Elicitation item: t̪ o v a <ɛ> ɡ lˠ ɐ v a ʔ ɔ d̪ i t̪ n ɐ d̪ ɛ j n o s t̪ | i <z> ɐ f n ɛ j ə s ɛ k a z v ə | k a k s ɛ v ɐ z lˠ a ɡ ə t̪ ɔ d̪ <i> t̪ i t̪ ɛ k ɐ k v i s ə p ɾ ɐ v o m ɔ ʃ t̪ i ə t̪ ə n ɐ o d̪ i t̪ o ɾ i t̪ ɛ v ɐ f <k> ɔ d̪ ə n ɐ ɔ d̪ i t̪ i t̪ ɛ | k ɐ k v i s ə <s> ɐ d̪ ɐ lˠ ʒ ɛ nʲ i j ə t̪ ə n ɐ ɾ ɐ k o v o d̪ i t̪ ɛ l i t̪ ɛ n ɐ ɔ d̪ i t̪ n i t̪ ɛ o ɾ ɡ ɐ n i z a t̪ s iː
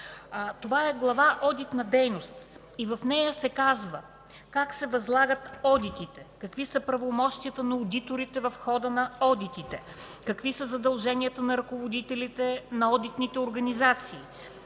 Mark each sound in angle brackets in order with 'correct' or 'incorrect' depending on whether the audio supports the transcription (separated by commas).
correct, incorrect, correct, incorrect, incorrect